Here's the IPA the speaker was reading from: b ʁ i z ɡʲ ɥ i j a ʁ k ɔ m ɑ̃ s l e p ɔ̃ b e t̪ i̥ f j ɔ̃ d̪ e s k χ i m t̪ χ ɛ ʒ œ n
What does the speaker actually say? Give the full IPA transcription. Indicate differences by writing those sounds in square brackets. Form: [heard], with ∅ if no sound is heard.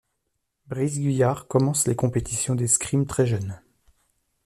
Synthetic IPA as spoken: b ʁ i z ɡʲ ɥ i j a ʁ k ɔ m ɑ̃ s l e [k] ɔ̃ [p] e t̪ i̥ [s] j ɔ̃ d̪ e s k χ i m t̪ χ ɛ ʒ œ n

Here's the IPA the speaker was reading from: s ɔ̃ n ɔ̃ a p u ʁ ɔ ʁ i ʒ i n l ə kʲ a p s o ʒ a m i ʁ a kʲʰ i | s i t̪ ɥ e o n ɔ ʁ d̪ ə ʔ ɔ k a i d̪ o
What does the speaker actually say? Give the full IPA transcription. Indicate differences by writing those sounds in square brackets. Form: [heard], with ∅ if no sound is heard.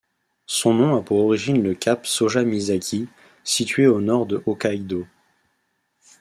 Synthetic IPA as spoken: s ɔ̃ n ɔ̃ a p u ʁ ɔ ʁ i ʒ i n l ə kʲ a p s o ʒ a m i [z] a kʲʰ i | s i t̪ ɥ e o n ɔ ʁ d̪ ə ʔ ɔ k a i d̪ o

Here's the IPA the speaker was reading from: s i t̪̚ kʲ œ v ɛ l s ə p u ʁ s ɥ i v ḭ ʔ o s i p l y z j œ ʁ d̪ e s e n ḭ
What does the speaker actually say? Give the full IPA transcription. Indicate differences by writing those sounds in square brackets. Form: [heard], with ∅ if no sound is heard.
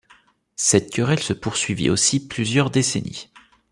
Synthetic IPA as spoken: s [ɛ] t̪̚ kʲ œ [ʁ] ɛ l s ə p u ʁ s ɥ i v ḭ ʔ o s i p l y z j œ ʁ d̪ e s e n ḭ

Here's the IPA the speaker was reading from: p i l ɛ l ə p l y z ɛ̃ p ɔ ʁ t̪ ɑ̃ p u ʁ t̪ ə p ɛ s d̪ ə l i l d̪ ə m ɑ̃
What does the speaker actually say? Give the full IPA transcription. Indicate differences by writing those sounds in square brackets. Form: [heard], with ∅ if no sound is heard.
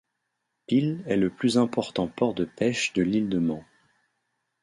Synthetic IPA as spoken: p i l ɛ l ə p l y z ɛ̃ p ɔ ʁ t̪ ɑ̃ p [ɔ] ʁ [d̪] ə p ɛ [ʃ] d̪ ə l i l d̪ ə m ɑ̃

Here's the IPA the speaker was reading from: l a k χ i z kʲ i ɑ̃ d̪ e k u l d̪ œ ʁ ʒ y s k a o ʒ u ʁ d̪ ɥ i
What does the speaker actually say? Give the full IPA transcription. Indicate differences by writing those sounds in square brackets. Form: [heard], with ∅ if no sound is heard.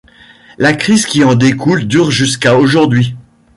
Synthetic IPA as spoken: l a k χ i z kʲ i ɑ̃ d̪ e k u l d̪ [y] ʁ ʒ y s k a o ʒ u ʁ d̪ ɥ i

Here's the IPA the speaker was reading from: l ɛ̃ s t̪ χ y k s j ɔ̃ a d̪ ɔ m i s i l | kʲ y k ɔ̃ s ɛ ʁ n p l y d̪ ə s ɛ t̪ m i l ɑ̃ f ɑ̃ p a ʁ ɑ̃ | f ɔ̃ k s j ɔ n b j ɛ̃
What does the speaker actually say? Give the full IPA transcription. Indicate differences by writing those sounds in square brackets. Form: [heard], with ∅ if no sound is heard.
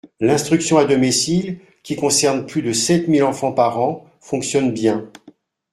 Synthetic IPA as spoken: l ɛ̃ s t̪ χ y k s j ɔ̃ a d̪ ɔ m i s i l | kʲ [i] k ɔ̃ s ɛ ʁ n p l y d̪ ə s ɛ t̪ m i l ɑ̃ f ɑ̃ p a ʁ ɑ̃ | f ɔ̃ k s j ɔ n b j ɛ̃

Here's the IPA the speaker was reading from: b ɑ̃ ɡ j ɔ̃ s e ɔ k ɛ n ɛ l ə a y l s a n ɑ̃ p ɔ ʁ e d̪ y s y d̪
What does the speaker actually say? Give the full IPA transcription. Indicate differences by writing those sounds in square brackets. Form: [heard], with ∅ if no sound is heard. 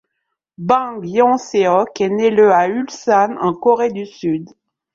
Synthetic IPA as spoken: b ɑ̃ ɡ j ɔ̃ s e ɔ k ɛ n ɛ l ə a y l s a n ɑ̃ [k] ɔ ʁ e d̪ y s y d̪

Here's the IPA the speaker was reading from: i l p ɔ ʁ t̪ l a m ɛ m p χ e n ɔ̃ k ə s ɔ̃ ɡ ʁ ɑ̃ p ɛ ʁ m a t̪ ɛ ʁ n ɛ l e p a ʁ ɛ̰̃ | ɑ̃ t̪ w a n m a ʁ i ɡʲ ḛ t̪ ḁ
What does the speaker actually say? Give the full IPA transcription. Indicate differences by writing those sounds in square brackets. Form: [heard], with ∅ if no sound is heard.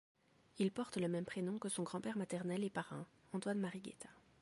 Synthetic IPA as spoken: i l p ɔ ʁ t̪ l [ə] m ɛ m p χ e n ɔ̃ k ə s ɔ̃ ɡ ʁ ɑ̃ p ɛ ʁ m a t̪ ɛ ʁ n ɛ l e p a ʁ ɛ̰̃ | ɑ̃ t̪ w a n m a ʁ i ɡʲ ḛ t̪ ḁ

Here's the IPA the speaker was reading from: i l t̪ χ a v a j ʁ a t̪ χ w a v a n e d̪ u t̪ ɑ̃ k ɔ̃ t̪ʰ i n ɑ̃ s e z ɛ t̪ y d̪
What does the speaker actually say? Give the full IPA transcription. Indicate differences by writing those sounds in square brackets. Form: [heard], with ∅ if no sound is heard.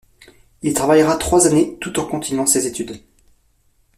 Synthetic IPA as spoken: i l t̪ χ a v a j ʁ a t̪ χ w a [z] a n e [t̪] u t̪ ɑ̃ k ɔ̃ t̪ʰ i n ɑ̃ s e z [e] t̪ y d̪

